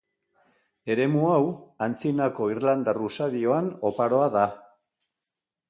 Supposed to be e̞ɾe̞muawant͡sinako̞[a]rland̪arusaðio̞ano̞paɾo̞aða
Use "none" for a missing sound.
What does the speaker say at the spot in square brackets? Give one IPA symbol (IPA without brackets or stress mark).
i